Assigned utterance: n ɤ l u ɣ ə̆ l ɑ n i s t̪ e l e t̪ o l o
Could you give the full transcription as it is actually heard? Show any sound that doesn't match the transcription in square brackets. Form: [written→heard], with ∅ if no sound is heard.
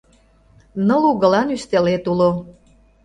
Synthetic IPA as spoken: n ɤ l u ɣ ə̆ l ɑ n [i→y] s t̪ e l e t̪ [o→u] l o